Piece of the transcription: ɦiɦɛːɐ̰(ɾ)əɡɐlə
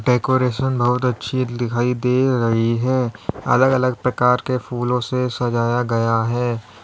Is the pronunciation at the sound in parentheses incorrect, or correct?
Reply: incorrect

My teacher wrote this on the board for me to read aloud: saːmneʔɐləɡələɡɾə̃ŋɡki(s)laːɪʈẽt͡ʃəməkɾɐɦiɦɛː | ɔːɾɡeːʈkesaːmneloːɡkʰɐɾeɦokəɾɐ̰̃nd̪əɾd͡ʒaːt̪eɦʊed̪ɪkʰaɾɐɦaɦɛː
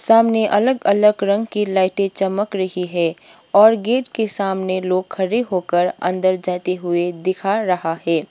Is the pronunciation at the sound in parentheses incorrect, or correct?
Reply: incorrect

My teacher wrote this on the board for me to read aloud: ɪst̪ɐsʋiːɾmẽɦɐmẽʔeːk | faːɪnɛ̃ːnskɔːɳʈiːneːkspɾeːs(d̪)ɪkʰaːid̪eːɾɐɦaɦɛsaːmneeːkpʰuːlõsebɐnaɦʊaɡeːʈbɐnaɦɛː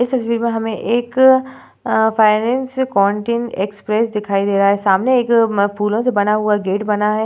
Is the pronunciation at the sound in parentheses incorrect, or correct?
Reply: correct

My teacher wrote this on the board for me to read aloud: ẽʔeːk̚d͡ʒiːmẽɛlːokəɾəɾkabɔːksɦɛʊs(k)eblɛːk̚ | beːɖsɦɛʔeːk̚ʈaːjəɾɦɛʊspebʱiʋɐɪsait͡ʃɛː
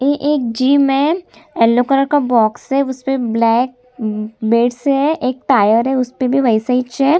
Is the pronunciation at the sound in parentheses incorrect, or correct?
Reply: incorrect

